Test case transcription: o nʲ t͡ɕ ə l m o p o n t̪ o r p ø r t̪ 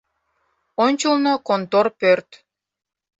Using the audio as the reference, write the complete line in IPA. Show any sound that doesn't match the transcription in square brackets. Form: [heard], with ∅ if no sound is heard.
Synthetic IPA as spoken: o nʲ t͡ɕ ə l [n] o [k] o n t̪ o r p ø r t̪